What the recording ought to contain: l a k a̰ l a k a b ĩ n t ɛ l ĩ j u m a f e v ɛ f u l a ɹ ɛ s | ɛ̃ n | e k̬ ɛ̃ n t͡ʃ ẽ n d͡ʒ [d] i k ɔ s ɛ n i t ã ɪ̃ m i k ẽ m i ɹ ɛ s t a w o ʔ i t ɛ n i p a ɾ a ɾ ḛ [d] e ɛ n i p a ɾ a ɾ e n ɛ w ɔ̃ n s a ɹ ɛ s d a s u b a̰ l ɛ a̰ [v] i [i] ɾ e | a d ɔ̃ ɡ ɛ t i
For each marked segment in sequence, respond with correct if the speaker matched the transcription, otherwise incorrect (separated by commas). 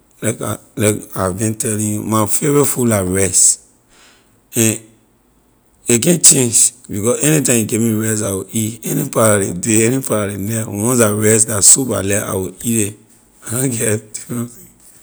incorrect, correct, incorrect, correct